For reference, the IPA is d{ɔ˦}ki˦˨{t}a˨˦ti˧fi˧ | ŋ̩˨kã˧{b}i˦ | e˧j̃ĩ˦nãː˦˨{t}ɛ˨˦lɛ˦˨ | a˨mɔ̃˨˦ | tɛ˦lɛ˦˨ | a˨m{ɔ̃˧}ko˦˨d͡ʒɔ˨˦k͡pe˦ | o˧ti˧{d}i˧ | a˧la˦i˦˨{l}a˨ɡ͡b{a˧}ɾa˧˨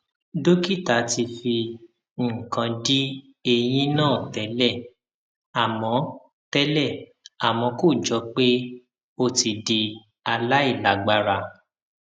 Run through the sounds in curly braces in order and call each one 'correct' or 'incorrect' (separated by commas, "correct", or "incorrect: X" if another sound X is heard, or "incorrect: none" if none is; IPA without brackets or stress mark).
incorrect: o˦, correct, incorrect: d, correct, correct, correct, correct, correct